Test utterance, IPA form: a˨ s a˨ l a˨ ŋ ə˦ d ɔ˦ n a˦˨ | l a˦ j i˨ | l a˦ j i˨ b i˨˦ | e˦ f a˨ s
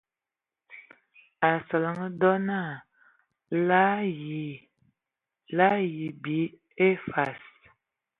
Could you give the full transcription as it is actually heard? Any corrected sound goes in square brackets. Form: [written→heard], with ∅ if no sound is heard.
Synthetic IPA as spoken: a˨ s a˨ l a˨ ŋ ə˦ d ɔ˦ n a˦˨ | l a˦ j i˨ | l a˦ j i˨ b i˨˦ | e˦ f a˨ s